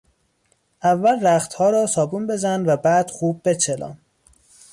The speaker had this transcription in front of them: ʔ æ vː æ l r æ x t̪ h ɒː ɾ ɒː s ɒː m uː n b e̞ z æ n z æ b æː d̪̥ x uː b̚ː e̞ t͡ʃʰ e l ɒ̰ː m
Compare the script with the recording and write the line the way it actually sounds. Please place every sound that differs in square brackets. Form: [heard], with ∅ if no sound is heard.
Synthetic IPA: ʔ æ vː æ l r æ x t̪ h ɒː ɾ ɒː s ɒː [b] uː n b e̞ z æ n [v] æ b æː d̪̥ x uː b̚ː e̞ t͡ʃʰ e l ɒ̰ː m